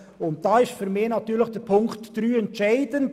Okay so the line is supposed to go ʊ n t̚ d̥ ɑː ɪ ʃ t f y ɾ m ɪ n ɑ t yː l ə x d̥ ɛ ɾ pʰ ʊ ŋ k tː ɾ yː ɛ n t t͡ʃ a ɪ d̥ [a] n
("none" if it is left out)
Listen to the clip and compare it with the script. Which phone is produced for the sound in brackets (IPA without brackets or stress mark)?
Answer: ə